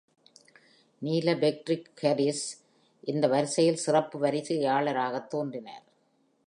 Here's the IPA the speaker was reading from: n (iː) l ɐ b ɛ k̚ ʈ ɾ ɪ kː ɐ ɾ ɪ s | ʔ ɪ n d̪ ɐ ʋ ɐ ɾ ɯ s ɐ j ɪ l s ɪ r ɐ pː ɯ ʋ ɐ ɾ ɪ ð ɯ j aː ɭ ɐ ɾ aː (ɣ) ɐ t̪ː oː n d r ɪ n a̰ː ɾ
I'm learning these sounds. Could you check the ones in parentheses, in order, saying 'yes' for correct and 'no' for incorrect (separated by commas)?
yes, yes